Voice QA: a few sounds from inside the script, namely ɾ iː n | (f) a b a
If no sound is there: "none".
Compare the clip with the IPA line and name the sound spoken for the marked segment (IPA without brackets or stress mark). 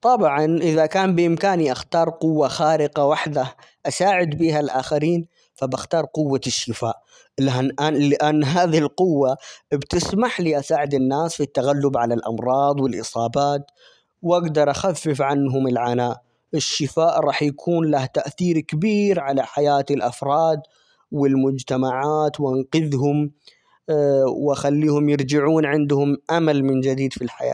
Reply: f